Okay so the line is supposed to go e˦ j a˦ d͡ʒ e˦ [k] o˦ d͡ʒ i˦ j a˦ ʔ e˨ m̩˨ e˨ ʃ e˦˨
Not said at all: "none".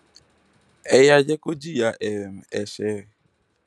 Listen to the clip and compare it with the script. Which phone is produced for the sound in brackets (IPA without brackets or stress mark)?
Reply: k